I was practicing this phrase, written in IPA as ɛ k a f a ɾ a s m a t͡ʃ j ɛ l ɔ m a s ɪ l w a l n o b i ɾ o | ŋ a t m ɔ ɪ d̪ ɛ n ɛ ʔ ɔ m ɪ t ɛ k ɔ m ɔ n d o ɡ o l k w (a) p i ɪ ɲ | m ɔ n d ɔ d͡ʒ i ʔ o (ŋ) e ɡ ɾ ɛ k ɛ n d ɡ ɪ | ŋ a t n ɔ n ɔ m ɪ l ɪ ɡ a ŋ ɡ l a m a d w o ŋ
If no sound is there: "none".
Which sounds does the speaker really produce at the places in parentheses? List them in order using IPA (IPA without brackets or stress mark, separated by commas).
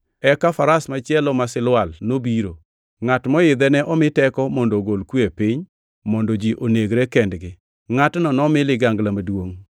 e, n